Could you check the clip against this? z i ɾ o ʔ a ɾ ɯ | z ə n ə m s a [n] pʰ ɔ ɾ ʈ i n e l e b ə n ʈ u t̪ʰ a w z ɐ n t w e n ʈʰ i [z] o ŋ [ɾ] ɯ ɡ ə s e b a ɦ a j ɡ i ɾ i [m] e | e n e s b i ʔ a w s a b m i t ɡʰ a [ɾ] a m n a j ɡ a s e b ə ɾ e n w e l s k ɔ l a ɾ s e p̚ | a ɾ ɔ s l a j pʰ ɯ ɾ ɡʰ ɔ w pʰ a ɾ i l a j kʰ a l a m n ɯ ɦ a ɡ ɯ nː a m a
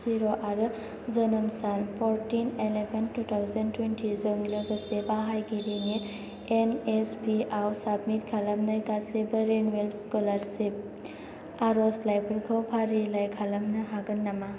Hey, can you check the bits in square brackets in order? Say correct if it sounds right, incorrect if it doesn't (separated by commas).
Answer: correct, correct, incorrect, incorrect, incorrect